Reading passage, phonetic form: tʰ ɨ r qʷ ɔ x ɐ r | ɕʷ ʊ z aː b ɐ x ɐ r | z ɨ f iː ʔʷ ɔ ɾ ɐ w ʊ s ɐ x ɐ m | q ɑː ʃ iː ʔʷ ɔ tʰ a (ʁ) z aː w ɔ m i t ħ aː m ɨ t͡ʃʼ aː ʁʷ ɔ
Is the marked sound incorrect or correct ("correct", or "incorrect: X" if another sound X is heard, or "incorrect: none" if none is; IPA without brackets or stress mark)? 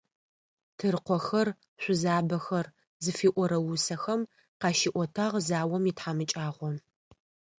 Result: correct